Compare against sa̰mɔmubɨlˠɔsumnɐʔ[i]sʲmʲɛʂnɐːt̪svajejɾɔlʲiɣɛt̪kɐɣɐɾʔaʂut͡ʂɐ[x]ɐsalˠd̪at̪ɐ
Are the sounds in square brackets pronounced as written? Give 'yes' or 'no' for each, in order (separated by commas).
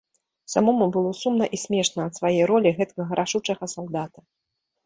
yes, no